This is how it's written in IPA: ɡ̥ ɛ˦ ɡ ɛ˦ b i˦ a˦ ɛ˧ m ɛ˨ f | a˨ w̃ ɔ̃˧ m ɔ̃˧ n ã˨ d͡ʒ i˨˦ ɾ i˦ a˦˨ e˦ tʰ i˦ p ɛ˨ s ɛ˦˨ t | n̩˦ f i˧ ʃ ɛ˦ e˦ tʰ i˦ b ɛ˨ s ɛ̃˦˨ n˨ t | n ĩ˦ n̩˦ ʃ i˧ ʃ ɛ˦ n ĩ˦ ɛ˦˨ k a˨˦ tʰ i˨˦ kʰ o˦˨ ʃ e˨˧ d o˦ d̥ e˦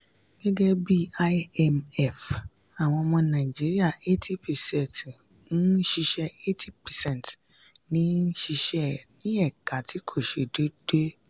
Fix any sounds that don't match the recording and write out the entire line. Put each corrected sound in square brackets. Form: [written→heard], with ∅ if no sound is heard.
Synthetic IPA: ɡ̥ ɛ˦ ɡ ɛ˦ b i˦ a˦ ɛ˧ m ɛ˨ f | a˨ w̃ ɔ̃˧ m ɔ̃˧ n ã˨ d͡ʒ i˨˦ ɾ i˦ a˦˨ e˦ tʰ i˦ p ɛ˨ s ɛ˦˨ t | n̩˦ [f→ʃ] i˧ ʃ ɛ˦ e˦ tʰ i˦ [b→p] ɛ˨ s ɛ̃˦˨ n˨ t | n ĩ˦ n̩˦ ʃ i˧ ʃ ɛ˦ n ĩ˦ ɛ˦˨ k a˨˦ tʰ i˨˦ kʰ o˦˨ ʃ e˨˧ d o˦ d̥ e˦